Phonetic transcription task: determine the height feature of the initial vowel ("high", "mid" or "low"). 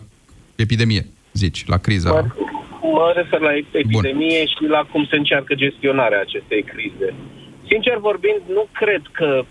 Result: mid